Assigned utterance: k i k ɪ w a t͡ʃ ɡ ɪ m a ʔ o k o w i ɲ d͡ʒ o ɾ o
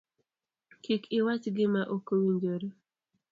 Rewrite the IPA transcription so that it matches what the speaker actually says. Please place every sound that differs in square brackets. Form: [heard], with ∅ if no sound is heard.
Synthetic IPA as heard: k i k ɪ w a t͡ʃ ɡ ɪ m a ʔ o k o w i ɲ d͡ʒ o ɾ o